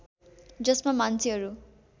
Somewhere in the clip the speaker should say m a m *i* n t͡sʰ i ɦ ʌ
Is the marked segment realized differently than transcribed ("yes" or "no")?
yes